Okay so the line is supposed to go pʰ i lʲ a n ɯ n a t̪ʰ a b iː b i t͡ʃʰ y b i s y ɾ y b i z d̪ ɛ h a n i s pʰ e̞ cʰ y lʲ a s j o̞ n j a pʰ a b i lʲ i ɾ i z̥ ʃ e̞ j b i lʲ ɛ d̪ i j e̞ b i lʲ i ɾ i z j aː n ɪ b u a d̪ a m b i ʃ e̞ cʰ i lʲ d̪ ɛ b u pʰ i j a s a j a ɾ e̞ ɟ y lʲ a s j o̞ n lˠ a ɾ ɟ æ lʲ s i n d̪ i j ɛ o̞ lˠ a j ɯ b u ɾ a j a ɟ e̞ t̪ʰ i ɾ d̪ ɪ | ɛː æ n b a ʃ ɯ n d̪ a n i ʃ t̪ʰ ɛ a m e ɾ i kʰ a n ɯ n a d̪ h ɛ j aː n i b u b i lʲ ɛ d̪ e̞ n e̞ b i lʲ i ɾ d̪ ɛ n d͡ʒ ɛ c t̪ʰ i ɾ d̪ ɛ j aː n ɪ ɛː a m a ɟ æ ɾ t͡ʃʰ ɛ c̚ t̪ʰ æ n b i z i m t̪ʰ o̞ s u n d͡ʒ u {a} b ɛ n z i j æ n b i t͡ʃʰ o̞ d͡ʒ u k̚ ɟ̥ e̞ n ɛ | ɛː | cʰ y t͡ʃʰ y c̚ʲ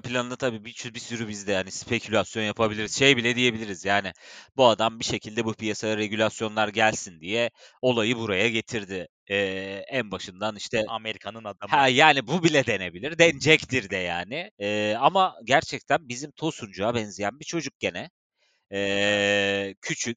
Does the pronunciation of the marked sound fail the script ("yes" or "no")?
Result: no